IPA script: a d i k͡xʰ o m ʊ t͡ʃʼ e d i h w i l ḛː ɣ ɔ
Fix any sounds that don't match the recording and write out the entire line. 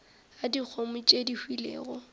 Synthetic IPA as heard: a d i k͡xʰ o m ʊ t͡ʃʼ e d i h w i l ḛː ɣ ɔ